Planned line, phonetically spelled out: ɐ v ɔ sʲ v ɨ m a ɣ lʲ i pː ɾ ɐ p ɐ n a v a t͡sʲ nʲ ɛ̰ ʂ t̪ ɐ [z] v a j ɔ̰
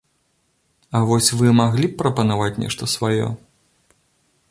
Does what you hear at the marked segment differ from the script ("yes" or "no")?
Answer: yes